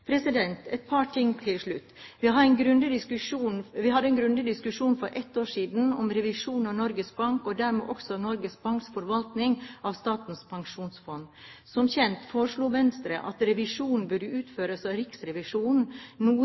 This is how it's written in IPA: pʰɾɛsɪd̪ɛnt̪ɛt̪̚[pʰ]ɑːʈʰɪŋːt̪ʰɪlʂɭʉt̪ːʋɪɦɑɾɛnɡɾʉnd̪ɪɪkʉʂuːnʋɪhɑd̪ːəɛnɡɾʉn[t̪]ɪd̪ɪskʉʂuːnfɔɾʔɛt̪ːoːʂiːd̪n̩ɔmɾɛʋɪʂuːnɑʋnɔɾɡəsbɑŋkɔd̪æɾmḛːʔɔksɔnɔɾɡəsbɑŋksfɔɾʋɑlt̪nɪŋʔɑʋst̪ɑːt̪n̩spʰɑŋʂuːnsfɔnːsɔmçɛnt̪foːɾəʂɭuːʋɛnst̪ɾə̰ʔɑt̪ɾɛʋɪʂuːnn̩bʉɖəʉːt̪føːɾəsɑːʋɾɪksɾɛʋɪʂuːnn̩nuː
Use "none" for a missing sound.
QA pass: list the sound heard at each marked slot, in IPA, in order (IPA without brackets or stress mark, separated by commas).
pʰ, d̪